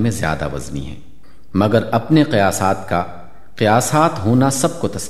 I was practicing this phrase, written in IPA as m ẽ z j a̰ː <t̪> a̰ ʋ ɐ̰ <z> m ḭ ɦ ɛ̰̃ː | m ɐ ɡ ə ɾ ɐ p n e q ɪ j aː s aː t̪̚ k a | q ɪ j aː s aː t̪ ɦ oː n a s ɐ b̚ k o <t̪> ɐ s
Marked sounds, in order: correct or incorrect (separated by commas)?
incorrect, correct, correct